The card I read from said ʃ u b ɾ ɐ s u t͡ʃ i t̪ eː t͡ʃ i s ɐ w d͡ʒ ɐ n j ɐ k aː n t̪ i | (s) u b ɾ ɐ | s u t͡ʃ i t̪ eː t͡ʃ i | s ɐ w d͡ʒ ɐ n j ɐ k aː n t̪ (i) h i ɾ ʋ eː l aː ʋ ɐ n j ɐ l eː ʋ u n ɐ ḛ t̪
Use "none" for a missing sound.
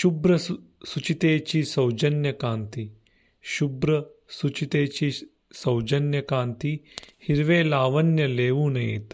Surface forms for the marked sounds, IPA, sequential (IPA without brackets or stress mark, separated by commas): ʃ, i